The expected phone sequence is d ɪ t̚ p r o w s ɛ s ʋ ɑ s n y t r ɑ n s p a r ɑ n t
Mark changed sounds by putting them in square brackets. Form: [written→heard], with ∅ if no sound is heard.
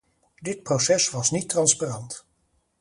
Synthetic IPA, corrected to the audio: d ɪ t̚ p r o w s ɛ s ʋ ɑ s n [y→i] t r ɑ n s p a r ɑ n t